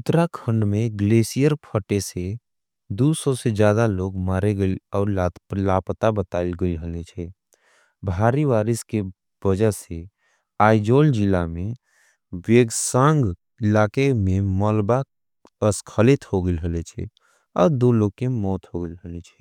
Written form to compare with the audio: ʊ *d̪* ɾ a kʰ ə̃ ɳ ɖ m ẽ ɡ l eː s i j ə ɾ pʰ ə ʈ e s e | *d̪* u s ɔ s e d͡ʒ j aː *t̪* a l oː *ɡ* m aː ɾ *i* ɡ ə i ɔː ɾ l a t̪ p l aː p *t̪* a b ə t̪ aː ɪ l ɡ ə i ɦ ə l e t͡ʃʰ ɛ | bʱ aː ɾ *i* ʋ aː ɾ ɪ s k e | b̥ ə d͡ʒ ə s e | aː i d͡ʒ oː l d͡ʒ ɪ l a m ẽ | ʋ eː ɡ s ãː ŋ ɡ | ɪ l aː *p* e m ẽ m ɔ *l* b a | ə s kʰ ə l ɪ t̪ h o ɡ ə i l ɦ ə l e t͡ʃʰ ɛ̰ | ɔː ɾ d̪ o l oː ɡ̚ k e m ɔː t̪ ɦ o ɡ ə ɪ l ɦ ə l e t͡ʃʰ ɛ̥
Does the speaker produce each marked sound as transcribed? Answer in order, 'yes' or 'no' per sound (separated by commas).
no, yes, no, yes, no, yes, yes, no, yes